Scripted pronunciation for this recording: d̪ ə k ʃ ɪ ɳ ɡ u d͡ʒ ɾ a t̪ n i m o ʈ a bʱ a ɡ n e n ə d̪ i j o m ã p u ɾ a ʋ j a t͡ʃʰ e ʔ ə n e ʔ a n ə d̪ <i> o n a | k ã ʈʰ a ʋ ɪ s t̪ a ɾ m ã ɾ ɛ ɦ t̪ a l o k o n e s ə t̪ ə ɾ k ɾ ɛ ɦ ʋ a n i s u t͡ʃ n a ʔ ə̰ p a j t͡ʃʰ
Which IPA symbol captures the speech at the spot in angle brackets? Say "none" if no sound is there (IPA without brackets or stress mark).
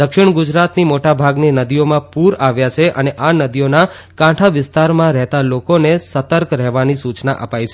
i